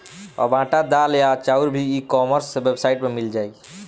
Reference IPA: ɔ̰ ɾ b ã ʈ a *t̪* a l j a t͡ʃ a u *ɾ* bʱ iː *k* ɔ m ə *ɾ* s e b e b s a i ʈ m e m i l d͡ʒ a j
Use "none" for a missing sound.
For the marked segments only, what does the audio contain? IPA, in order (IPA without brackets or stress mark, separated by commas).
d̪, ɾ, k, ɾ